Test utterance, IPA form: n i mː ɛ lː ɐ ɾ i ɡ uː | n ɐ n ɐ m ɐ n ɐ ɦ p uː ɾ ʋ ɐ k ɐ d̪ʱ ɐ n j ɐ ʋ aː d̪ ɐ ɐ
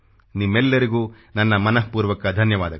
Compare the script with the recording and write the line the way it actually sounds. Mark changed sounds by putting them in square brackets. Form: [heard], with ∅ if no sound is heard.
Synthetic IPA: n i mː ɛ lː ɐ ɾ i ɡ uː | n ɐ [nː] ɐ m ɐ n ɐ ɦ p uː ɾ ʋ ɐ k ɐ d̪ʱ ɐ n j ɐ ʋ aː d̪ ɐ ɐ